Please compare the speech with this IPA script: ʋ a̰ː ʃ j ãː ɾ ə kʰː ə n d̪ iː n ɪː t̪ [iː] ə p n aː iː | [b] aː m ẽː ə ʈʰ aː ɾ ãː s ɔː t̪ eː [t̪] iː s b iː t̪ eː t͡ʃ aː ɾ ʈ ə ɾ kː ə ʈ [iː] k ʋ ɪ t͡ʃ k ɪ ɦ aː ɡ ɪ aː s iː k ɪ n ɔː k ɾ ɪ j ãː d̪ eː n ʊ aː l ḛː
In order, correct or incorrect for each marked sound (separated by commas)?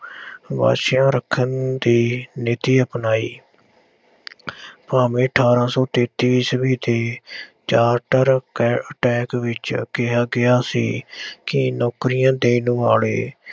correct, incorrect, correct, incorrect